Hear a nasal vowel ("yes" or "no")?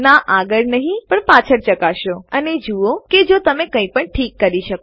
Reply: yes